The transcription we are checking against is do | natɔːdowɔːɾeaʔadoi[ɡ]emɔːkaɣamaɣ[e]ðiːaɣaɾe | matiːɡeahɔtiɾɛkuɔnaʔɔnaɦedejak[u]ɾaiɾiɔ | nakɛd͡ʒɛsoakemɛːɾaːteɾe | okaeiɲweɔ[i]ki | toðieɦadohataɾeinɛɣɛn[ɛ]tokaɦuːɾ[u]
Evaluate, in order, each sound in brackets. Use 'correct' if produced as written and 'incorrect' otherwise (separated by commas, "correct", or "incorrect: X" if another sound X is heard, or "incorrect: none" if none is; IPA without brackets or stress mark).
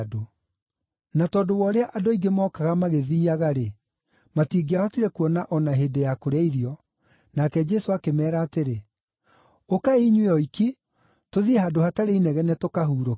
correct, correct, incorrect: o, correct, correct, incorrect: o